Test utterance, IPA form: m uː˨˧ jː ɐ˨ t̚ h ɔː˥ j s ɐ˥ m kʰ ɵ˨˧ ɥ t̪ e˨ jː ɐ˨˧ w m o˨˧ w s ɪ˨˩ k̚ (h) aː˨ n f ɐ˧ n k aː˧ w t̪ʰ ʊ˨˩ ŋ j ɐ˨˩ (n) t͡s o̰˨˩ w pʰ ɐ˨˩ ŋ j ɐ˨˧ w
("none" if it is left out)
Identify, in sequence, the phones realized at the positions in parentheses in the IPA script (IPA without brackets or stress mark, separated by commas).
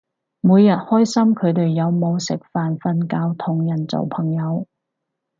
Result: f, n